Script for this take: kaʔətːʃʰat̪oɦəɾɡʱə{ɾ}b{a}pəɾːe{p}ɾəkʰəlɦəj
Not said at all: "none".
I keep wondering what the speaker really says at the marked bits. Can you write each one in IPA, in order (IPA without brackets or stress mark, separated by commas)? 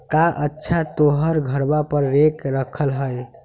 ɾ, a, k